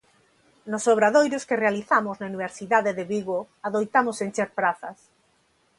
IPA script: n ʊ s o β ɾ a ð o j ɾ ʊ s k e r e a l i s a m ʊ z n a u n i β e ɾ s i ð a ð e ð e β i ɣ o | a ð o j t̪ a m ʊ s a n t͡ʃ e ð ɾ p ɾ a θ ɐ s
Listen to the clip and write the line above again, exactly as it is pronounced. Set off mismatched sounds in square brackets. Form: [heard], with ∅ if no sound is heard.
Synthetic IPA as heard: n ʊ s o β ɾ a ð o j ɾ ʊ s k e r e a l i [θ] a m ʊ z n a u n i β e ɾ s i ð a ð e ð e β i ɣ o | a ð o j t̪ a m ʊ s [e] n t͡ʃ e [∅] ɾ p ɾ a θ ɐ s